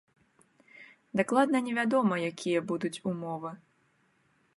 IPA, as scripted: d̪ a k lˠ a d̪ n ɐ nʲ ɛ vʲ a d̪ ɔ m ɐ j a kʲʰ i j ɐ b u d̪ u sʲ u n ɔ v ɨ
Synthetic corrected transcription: d̪ a k lˠ a d̪ n ɐ nʲ ɛ vʲ a d̪ ɔ m ɐ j a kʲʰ i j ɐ b u d̪ u t͡sʲ u m ɔ v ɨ